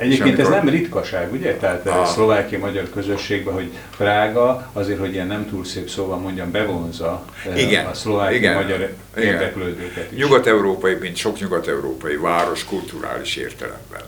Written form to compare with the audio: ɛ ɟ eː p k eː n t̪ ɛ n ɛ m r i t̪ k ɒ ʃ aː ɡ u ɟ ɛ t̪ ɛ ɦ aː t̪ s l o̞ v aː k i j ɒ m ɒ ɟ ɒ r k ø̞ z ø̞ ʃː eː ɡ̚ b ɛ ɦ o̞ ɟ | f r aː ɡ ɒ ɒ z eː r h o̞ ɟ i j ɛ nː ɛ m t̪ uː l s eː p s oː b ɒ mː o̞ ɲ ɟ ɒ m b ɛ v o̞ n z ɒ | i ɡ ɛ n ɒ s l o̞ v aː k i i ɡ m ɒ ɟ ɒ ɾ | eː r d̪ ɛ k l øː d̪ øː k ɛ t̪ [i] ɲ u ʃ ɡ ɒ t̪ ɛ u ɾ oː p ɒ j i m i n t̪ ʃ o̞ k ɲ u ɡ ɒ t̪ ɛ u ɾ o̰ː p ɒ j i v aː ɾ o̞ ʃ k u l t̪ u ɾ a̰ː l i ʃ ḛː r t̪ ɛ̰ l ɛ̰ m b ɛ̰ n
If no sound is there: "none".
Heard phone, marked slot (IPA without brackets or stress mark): i